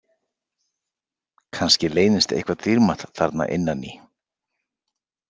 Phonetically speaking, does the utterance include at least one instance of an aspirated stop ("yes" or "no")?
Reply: yes